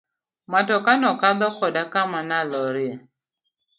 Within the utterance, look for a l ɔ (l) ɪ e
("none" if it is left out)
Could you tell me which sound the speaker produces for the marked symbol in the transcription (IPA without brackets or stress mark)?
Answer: ɾ